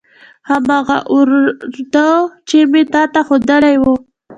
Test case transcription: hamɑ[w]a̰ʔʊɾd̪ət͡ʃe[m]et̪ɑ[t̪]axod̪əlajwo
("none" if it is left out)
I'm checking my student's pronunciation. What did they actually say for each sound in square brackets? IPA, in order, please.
ɣ, m, t̪

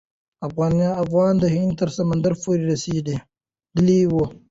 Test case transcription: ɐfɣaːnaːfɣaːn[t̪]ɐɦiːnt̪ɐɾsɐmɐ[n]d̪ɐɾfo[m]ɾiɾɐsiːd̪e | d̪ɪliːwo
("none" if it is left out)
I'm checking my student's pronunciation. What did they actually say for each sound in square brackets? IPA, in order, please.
d̪, n, none

